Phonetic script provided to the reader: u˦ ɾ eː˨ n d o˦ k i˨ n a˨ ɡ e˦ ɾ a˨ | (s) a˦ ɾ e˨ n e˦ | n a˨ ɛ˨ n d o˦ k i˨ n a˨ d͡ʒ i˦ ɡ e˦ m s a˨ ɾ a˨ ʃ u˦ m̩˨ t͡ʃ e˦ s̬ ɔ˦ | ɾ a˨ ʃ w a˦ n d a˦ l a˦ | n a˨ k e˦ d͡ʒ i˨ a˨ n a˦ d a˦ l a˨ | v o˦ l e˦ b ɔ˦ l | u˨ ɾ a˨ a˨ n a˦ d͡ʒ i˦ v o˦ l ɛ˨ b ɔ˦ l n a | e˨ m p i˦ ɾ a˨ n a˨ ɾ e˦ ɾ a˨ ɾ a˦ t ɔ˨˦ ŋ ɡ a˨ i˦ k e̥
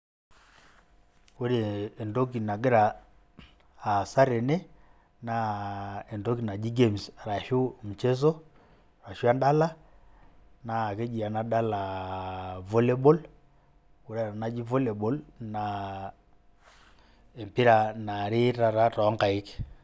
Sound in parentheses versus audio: correct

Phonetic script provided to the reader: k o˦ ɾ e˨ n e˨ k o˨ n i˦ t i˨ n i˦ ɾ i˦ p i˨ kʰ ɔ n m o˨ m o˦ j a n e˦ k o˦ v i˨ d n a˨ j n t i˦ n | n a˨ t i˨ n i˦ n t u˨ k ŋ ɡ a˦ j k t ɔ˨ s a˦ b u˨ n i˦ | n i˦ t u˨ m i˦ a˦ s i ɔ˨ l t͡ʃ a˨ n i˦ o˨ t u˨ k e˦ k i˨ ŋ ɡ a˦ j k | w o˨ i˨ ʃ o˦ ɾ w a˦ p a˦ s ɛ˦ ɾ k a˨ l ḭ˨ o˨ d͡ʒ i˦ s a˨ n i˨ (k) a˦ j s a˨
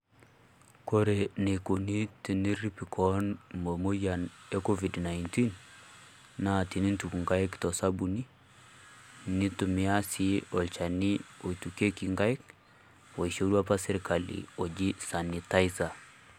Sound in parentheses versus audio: incorrect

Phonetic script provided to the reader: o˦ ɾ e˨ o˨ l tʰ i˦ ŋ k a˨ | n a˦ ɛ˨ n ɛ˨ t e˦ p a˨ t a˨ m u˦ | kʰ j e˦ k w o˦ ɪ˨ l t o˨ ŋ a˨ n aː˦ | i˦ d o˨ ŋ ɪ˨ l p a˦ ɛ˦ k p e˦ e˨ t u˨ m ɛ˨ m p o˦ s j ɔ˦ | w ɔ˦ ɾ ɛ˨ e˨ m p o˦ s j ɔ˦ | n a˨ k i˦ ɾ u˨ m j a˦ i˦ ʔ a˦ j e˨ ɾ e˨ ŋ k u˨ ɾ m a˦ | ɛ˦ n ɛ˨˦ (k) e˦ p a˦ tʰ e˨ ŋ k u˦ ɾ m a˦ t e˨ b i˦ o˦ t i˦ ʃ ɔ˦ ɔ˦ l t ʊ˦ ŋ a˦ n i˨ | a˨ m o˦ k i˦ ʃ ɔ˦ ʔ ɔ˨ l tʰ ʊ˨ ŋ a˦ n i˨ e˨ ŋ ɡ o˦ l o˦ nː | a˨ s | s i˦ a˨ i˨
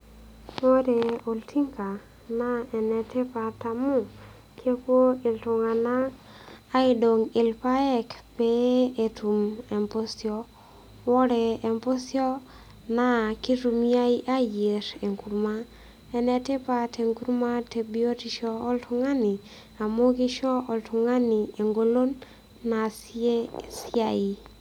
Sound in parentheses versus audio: incorrect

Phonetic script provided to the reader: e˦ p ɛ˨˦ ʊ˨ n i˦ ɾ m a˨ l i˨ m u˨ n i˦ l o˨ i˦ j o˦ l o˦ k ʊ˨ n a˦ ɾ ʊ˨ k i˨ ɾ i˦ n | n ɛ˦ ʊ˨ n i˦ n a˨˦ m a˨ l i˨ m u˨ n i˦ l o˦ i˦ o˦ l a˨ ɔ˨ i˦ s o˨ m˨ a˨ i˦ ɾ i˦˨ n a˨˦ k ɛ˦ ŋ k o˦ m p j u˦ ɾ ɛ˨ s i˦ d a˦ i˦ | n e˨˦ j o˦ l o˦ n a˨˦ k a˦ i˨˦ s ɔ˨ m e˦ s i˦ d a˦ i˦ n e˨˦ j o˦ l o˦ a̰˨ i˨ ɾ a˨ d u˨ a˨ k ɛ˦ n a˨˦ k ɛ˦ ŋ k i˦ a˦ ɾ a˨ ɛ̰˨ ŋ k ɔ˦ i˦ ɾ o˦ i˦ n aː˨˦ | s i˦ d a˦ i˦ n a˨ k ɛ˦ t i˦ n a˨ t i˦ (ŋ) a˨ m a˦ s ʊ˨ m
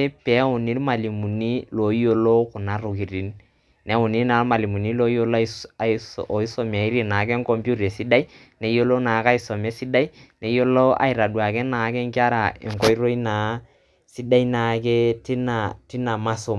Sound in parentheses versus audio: incorrect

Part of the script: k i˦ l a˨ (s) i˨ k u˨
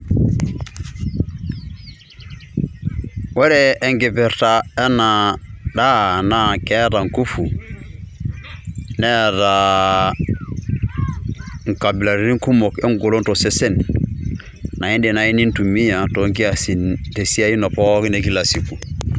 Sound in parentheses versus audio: correct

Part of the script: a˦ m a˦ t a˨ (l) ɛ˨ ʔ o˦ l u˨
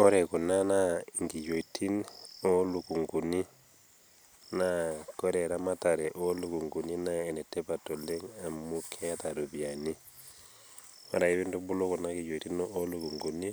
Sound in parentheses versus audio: incorrect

